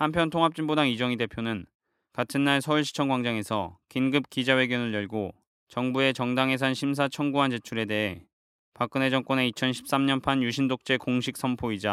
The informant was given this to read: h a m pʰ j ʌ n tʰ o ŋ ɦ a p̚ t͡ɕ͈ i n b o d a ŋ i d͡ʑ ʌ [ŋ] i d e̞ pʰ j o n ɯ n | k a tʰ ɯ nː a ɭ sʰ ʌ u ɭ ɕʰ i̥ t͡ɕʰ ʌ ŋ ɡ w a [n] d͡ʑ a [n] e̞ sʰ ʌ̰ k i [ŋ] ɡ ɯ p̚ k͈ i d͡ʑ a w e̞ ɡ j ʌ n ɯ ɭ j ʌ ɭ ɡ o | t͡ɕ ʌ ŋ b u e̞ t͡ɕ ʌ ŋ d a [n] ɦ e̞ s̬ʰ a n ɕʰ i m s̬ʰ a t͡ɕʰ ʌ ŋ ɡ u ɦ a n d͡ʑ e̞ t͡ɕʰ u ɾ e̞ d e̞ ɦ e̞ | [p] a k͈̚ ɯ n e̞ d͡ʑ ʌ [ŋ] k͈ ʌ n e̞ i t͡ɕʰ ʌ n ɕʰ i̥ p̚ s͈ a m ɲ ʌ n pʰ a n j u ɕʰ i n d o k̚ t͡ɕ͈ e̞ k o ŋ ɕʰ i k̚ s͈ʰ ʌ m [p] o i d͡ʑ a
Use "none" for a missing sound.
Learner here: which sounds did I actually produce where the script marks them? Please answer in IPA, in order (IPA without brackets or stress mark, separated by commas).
ŋ, ŋ, ŋ, n, ŋ, p, ŋ, pʰ